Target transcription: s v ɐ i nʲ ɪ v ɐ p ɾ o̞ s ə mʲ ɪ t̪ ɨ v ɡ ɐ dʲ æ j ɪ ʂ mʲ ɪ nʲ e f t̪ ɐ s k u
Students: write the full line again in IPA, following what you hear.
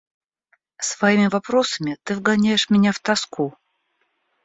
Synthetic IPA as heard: s v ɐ i mʲ ɪ v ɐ p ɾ o̞ s ə mʲ ɪ t̪ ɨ v ɡ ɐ nʲ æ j ɪ ʂ mʲ ɪ nʲ a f t̪ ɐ s k u